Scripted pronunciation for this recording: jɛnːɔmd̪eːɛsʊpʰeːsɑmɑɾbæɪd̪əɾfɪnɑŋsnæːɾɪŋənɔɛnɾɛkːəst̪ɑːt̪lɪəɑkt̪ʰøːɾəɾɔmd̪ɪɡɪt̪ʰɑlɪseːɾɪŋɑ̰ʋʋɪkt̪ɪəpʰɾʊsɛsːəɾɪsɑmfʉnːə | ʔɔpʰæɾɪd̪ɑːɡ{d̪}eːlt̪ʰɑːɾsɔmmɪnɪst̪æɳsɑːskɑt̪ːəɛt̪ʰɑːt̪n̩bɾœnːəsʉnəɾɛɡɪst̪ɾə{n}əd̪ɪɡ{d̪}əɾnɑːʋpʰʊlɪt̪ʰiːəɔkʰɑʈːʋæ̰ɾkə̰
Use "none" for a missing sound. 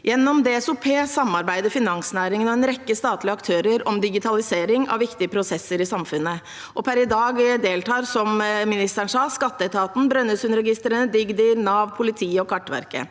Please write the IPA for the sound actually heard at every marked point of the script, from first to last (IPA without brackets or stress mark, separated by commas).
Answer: d̪, n, d̪